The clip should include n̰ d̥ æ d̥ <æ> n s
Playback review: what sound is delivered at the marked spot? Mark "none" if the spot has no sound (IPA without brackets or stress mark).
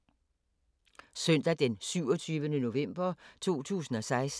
e